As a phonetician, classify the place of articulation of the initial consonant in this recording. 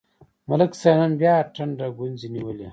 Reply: labial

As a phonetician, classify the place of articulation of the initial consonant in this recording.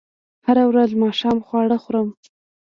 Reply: glottal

